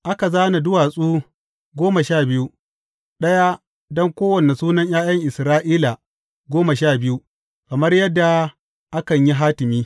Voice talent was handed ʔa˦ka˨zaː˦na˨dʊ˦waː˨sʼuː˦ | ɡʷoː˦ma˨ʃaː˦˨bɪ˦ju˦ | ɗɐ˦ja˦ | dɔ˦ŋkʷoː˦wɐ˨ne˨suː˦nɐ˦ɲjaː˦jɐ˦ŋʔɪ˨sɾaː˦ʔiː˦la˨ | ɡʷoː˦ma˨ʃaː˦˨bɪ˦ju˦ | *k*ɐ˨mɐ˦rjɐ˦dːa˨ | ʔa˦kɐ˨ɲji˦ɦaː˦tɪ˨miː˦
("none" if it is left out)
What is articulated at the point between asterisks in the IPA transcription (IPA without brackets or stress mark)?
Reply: k